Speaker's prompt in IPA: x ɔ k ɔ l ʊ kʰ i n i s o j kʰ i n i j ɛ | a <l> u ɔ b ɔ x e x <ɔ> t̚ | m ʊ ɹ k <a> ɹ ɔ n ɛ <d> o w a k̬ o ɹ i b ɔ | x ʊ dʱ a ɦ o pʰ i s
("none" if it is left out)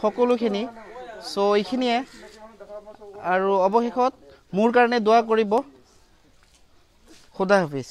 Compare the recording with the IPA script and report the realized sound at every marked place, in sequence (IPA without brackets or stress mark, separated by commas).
ɹ, ɔ, a, d